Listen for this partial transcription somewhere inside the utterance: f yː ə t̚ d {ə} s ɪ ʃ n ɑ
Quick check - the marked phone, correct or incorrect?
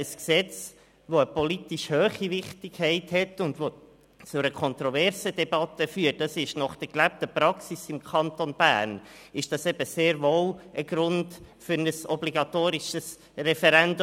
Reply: incorrect